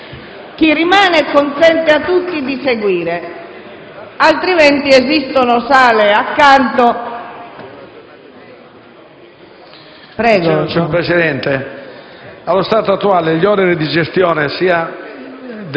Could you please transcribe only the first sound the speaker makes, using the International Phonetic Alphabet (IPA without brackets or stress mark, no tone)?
k̟